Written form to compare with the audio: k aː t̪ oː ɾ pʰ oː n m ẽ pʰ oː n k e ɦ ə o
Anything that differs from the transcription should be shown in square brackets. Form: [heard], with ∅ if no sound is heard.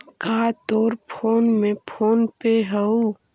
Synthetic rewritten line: k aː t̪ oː ɾ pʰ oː n m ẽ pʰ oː n [p] e ɦ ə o